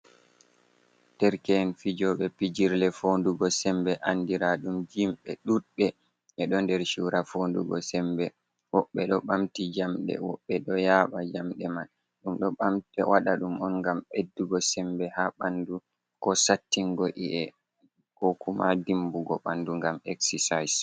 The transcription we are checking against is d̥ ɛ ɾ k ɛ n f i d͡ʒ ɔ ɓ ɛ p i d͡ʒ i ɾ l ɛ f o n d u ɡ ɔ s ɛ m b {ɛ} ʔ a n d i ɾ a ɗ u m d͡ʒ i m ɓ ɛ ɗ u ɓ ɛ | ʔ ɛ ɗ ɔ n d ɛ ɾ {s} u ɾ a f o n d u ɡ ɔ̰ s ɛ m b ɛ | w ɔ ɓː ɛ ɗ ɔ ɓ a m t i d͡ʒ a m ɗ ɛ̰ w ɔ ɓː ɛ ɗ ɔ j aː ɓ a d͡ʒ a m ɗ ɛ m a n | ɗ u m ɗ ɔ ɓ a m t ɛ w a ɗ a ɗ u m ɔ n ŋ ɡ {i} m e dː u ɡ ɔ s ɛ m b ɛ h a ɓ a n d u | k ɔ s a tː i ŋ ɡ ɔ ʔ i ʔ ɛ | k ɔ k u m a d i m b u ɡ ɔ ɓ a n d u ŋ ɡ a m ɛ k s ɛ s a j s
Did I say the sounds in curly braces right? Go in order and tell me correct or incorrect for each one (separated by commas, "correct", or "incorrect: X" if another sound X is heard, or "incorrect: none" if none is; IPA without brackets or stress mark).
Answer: correct, incorrect: ʃ, incorrect: a